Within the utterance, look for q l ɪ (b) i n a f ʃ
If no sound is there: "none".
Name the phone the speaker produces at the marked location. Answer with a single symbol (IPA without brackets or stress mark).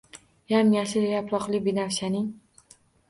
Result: b